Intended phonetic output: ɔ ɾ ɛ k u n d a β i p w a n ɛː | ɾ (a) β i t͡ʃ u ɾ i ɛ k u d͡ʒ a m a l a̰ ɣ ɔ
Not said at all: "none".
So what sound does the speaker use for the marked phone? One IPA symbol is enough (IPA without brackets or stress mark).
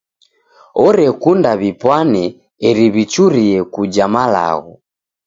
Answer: i